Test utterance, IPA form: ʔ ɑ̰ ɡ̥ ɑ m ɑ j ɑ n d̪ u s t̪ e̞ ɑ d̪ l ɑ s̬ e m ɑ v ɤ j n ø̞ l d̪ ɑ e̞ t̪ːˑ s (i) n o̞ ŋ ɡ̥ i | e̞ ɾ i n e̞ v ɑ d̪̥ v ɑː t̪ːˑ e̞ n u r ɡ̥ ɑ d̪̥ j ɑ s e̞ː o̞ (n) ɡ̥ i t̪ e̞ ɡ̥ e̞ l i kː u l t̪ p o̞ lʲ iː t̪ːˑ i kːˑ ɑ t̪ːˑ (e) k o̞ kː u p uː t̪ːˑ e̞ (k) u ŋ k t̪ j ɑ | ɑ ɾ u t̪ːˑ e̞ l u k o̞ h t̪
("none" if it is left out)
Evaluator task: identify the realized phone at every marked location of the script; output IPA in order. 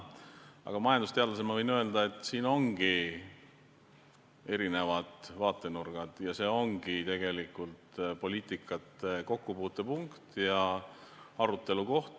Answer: iː, ŋ, e, p

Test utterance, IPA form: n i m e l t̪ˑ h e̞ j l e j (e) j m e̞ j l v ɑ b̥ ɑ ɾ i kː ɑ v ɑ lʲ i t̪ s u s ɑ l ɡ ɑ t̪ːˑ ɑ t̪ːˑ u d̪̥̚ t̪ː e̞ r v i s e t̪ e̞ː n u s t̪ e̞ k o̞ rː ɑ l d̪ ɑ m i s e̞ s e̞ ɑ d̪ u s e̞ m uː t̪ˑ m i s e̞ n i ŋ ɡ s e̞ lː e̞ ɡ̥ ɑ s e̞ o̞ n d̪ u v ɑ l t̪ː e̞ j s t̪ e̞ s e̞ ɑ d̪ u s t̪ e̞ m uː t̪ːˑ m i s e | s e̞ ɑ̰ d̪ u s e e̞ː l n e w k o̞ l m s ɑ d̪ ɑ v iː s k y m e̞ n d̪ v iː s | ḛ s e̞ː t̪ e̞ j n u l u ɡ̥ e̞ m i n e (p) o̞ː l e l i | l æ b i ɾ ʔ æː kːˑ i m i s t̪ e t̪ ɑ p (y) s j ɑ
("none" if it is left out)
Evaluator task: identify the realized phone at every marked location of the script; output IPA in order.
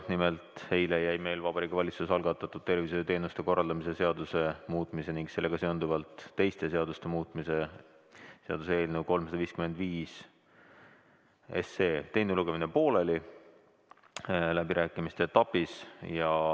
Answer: æ, p, i

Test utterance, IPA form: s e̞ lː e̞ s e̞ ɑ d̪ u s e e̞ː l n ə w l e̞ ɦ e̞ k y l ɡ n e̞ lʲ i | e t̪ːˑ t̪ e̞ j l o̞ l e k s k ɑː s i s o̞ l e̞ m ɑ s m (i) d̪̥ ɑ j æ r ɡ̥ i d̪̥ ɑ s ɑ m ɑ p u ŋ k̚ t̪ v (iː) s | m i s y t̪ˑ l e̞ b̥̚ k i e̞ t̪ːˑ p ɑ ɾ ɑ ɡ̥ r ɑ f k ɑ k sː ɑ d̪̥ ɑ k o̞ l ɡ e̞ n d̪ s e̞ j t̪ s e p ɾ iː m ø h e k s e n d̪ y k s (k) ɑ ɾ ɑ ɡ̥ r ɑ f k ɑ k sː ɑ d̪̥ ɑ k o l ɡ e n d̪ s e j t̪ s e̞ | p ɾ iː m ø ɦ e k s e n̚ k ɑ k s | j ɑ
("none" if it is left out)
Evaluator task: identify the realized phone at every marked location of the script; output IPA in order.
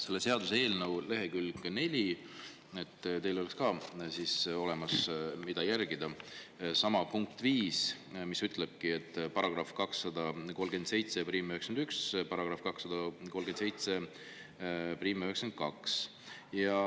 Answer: i, iː, p

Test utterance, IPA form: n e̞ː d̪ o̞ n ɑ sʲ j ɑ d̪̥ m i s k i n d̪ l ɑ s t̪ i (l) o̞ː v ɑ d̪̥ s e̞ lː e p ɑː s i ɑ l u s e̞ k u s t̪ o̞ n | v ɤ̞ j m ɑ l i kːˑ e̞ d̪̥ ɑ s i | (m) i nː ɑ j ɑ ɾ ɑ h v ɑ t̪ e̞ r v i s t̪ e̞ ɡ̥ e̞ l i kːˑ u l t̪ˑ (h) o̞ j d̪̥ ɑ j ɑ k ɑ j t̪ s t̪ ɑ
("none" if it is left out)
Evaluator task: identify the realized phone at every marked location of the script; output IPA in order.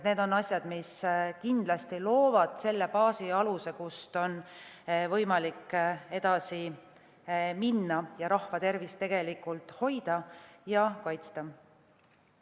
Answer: l, m, h

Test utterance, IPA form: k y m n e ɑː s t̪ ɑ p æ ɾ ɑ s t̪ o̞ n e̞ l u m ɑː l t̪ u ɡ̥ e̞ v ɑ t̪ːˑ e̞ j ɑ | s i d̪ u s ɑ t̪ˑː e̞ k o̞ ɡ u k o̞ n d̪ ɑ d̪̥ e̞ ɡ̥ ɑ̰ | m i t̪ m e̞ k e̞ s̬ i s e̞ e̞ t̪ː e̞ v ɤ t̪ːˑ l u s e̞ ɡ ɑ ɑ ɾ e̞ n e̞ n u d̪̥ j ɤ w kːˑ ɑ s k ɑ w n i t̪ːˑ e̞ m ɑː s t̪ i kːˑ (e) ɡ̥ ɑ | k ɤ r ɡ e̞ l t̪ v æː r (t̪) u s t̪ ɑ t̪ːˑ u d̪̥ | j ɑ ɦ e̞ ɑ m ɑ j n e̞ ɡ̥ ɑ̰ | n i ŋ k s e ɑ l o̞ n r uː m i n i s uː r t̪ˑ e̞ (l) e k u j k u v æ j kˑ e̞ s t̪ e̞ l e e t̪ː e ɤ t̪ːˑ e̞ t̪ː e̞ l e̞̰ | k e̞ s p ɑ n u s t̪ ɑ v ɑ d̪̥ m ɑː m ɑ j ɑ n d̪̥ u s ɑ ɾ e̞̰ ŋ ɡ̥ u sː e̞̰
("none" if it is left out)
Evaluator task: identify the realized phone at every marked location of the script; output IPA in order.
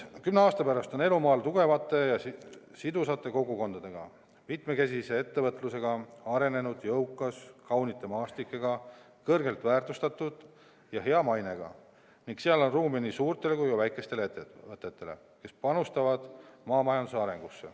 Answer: e, t̪, l

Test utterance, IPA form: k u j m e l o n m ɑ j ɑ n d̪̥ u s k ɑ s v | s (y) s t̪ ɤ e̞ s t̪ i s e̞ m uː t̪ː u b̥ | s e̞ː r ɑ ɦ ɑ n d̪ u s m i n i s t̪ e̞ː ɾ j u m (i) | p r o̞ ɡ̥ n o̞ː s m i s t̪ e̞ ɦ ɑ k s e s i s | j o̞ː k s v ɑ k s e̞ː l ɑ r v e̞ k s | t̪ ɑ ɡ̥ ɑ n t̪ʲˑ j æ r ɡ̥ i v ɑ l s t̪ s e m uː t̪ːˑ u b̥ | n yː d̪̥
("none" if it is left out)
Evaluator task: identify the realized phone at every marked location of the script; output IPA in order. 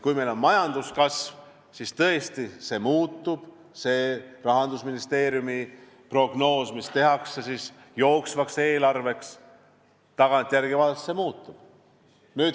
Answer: i, i

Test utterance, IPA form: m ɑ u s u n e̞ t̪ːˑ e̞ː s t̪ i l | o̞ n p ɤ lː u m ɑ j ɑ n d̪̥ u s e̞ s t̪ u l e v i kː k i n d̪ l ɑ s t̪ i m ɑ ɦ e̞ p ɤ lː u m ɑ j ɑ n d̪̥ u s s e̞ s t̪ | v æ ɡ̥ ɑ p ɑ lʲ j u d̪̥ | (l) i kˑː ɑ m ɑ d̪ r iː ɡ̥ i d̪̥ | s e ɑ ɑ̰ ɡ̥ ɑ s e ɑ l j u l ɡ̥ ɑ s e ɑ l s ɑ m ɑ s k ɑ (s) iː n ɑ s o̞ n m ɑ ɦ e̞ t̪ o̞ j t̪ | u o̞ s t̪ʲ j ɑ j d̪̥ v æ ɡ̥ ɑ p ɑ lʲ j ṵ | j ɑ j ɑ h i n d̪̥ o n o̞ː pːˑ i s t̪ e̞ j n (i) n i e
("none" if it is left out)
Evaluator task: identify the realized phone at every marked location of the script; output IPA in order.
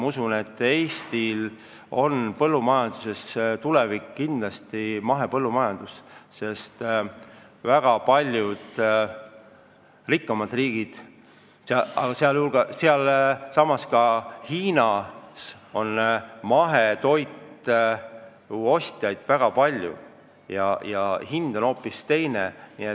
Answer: r, h, e

